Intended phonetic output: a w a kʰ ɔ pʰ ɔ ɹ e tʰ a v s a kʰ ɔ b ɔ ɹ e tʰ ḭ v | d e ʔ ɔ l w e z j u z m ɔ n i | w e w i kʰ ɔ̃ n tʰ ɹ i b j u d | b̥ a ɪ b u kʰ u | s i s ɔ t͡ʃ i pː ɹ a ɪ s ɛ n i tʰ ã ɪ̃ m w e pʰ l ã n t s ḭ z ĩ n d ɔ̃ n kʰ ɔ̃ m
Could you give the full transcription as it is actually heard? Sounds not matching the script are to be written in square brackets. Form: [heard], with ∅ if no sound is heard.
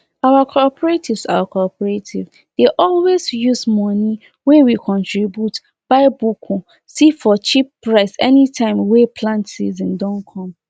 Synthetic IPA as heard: a w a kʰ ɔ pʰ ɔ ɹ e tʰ [i] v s a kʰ ɔ [p] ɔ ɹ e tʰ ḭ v | d e ʔ ɔ l w e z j u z m ɔ n i | w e w i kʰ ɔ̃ n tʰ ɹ i b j u [t] | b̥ a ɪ b u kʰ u | s i [f] ɔ t͡ʃ i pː ɹ a ɪ s ɛ n i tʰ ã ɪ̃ m w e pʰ l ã n t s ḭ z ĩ n d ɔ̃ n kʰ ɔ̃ m